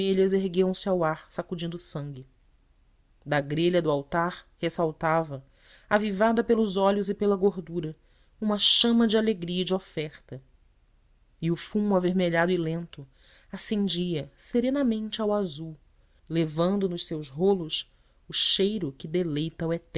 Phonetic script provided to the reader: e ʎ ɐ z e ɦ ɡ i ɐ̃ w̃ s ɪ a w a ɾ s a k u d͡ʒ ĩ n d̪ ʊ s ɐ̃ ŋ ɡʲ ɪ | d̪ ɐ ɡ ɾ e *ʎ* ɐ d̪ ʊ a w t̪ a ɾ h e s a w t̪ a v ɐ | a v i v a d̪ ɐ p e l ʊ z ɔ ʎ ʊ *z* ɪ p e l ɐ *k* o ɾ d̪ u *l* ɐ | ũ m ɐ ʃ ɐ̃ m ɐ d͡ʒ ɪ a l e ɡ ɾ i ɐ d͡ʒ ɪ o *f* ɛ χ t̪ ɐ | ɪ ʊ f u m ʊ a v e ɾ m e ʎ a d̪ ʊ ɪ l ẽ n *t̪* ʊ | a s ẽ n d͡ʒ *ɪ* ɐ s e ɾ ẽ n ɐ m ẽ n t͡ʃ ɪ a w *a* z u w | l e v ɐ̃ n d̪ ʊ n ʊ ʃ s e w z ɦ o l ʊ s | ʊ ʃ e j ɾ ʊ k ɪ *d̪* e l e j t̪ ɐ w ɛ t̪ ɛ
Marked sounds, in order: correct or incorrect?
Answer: correct, correct, incorrect, incorrect, correct, correct, incorrect, correct, correct

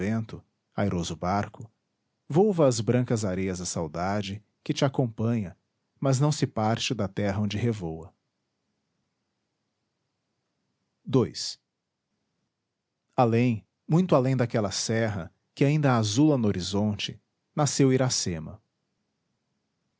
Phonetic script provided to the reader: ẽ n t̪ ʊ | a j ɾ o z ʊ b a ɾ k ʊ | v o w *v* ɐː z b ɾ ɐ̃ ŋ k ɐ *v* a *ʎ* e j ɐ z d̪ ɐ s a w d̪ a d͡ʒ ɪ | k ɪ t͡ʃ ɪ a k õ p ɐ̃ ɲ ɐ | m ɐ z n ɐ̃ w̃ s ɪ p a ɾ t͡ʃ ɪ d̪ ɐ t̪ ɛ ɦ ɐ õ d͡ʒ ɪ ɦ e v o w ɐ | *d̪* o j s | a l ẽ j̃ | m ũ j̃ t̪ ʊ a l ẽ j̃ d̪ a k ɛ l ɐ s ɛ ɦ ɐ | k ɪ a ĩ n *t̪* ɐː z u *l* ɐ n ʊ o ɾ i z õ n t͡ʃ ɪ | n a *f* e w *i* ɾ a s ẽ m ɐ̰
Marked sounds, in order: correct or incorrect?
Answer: correct, incorrect, incorrect, correct, incorrect, correct, incorrect, correct

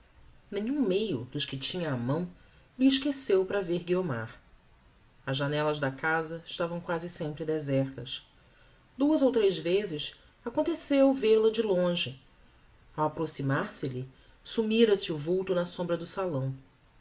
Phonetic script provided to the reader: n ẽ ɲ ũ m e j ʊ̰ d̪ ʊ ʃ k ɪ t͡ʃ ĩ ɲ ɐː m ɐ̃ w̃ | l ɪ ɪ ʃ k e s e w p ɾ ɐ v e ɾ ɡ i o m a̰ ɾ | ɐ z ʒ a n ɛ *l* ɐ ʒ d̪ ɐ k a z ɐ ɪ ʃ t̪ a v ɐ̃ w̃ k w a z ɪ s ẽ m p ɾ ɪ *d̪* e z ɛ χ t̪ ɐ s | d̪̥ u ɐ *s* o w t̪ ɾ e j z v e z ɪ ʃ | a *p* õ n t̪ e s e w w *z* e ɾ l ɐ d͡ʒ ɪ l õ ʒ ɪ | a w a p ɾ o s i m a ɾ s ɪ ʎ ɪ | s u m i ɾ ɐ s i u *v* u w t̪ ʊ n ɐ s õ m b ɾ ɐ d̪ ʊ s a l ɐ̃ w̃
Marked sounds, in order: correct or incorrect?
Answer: correct, correct, incorrect, incorrect, incorrect, correct

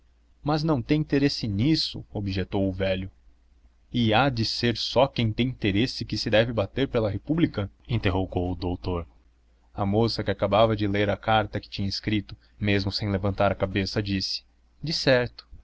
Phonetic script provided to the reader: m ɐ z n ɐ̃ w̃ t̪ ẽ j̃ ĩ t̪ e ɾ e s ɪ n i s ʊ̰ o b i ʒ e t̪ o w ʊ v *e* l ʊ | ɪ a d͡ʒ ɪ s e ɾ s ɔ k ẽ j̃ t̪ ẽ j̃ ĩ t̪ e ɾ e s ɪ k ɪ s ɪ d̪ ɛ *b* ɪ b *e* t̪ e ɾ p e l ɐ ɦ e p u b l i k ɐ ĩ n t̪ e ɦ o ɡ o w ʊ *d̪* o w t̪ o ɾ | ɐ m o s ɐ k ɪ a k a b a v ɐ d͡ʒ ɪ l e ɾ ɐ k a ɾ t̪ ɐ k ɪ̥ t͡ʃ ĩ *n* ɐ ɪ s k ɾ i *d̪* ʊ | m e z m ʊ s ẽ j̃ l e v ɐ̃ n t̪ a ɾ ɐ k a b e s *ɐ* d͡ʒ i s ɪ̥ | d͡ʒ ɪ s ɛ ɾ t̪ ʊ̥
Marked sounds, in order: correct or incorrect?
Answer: incorrect, incorrect, incorrect, correct, incorrect, incorrect, correct

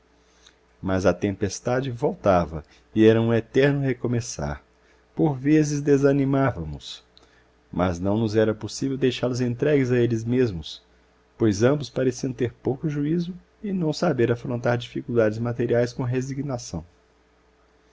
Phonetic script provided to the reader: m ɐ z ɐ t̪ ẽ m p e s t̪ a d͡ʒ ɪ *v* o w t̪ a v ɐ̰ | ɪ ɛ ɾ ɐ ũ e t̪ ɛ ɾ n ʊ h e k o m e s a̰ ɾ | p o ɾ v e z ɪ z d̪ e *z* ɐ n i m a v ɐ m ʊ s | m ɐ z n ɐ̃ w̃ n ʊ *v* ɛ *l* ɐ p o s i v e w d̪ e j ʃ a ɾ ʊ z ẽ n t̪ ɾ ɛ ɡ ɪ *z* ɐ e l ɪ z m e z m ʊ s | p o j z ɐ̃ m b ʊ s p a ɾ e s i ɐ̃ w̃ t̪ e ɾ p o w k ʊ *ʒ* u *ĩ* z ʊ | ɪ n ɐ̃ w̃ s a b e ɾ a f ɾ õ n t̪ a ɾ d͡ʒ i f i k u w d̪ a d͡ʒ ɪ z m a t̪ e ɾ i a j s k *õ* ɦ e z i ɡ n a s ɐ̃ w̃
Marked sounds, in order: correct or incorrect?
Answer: correct, correct, incorrect, incorrect, correct, correct, incorrect, correct

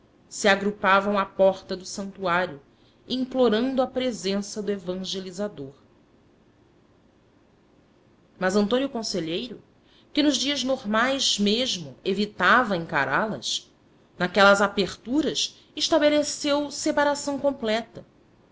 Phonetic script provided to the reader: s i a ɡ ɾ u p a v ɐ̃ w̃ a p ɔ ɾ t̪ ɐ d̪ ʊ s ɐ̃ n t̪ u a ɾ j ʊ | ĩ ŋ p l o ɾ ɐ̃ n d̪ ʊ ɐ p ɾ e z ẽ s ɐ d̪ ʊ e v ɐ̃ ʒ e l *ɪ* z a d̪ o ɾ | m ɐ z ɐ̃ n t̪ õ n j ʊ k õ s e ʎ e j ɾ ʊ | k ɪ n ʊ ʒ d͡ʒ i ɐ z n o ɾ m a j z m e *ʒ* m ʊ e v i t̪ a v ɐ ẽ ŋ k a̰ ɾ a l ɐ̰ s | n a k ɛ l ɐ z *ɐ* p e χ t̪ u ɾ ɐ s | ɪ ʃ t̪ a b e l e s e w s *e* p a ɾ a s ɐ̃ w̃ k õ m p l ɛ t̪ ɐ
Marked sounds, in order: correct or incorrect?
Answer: incorrect, correct, incorrect, correct

